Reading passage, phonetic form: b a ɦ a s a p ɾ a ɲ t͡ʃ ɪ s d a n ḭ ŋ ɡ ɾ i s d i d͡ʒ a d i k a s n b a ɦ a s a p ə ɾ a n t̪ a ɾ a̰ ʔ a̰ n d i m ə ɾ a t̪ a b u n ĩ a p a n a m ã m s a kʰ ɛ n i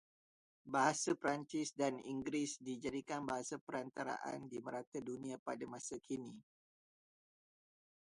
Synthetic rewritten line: b a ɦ a s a p ɾ a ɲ t͡ʃ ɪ s d a n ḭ ŋ ɡ ɾ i s d i d͡ʒ a d i k a n b a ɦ a s a p ə ɾ a n t̪ a ɾ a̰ ʔ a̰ n d i m ə ɾ a t̪ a d u n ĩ a p a d a m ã s a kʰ i n i